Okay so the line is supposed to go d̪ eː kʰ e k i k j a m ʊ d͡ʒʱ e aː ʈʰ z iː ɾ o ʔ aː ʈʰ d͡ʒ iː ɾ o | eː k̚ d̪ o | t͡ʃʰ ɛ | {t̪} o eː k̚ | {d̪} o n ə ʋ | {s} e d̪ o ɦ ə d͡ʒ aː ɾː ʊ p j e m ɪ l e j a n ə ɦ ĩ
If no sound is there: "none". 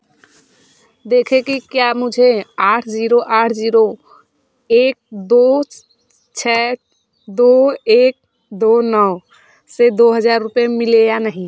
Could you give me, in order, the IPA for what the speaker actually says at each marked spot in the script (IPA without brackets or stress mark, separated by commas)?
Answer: d̪, d̪, s